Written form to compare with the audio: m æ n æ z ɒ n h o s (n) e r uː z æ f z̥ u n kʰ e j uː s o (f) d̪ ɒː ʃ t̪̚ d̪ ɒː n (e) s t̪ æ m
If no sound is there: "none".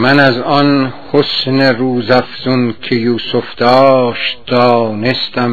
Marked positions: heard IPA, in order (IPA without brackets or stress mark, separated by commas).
n, f, e